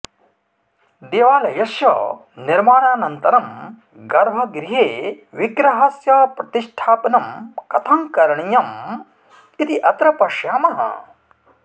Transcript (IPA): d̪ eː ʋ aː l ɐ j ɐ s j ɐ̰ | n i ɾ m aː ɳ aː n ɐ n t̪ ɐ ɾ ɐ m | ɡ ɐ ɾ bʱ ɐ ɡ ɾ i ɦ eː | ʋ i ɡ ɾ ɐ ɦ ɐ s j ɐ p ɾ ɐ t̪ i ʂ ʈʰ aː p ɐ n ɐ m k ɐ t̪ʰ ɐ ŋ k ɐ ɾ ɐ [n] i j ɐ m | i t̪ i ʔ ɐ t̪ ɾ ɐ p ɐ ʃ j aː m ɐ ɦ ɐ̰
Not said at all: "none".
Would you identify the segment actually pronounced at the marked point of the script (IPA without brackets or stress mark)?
ɳ